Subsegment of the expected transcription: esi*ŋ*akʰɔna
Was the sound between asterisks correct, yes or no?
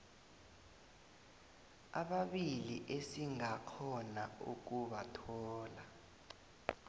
yes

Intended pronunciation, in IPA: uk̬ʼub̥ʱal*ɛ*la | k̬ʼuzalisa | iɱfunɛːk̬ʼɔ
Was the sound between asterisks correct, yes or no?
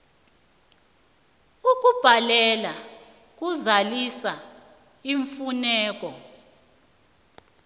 yes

